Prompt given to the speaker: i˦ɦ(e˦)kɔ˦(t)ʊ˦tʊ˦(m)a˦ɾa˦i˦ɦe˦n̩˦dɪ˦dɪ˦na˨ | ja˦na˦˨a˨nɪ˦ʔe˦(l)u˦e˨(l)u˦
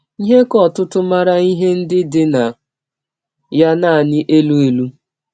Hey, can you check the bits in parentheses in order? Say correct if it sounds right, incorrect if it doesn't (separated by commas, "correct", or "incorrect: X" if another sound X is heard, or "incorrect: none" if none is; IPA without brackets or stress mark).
correct, correct, correct, correct, correct